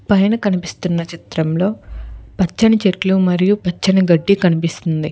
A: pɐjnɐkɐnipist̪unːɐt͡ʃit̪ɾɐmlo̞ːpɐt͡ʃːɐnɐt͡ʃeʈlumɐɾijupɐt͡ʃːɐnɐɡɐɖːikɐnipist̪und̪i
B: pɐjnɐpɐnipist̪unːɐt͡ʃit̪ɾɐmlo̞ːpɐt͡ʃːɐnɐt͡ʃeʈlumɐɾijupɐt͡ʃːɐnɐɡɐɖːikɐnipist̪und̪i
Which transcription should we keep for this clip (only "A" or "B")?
A